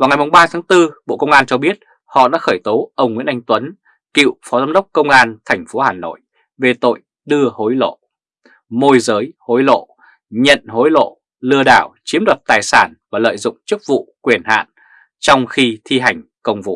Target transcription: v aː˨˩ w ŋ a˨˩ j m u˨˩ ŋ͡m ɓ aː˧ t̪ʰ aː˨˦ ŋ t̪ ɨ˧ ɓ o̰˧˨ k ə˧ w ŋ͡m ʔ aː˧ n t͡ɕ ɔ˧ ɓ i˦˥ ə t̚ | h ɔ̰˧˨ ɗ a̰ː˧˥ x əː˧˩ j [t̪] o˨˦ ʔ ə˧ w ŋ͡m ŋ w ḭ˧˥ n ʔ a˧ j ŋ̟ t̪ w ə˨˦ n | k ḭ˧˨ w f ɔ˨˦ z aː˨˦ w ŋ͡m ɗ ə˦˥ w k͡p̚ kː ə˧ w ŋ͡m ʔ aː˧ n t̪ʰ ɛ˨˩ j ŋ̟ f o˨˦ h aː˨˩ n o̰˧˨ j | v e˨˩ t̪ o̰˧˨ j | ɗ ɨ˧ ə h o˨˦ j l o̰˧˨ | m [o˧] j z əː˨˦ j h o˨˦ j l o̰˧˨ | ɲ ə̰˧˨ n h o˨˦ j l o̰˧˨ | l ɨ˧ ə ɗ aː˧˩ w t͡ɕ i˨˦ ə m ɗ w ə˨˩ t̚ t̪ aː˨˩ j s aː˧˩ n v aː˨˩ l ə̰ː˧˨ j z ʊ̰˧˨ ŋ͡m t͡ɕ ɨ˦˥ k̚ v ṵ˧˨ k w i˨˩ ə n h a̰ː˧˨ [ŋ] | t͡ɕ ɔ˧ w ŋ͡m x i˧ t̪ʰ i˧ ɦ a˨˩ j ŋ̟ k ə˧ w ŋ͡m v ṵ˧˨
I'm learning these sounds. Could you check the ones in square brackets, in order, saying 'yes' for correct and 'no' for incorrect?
yes, yes, no

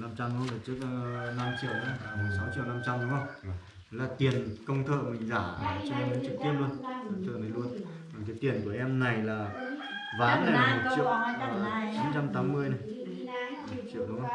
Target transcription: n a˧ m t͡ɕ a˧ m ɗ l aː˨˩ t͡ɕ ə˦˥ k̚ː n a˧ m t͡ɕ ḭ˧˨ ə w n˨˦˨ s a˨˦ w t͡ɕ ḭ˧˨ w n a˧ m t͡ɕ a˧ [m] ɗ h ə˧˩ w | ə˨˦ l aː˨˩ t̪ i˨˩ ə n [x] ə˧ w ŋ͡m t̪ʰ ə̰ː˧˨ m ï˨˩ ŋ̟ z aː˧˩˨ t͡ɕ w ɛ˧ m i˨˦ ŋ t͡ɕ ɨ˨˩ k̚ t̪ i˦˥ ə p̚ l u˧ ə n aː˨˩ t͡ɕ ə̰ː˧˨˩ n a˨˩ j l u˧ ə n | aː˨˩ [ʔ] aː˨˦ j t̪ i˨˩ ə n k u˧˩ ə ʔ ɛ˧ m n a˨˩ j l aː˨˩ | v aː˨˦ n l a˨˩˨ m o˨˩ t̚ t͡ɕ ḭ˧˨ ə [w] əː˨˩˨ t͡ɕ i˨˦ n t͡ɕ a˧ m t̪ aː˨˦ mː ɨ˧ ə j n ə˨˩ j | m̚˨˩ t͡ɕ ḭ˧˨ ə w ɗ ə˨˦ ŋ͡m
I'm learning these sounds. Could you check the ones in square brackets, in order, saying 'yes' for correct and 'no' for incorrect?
yes, no, no, yes

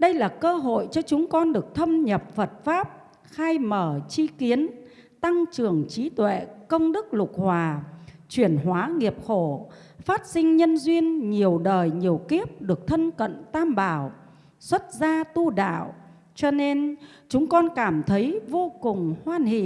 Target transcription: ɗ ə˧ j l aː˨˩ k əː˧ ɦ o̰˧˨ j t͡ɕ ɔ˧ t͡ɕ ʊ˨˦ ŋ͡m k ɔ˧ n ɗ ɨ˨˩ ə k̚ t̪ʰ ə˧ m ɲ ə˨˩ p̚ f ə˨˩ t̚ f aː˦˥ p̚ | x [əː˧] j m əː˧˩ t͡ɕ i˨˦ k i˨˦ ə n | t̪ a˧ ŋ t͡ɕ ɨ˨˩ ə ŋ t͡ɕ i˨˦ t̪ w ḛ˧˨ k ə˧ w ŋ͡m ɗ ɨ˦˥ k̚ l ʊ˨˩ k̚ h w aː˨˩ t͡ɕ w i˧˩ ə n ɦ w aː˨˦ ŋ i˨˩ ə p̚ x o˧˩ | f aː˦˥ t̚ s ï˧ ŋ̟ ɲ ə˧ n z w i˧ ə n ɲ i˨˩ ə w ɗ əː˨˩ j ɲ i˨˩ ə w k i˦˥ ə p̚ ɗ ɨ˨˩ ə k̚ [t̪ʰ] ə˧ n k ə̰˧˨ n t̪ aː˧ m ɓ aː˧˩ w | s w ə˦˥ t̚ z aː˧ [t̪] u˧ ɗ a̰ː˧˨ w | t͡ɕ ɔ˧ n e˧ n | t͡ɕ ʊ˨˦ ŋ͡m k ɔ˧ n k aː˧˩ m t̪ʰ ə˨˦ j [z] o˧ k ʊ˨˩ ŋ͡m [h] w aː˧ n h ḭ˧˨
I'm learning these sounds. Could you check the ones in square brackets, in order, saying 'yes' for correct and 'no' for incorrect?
no, yes, yes, no, yes

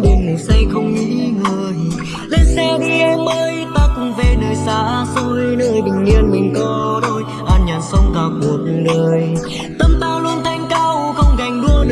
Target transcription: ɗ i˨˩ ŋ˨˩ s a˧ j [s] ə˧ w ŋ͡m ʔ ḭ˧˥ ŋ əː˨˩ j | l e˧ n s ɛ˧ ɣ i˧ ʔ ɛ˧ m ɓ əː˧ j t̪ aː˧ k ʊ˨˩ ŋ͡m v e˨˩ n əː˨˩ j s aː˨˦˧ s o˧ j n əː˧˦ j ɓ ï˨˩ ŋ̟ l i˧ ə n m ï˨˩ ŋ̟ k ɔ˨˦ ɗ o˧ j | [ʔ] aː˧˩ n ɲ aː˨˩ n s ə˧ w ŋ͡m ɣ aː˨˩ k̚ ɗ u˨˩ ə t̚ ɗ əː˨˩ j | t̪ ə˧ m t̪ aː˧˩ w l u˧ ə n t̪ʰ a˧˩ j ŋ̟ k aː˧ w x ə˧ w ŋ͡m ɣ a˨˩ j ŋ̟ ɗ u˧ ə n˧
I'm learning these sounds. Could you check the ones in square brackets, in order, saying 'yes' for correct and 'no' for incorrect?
no, yes

